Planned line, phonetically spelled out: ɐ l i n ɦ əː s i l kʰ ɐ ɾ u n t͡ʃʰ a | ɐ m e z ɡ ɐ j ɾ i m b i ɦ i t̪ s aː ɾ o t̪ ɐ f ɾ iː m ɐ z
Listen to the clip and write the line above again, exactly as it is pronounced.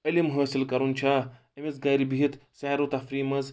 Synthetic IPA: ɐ l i m ɦ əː s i l k ɐ ɾ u n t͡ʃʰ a | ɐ m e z ɡ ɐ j ɾ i b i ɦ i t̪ s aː ɾ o t̪ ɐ f ɾ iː m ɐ z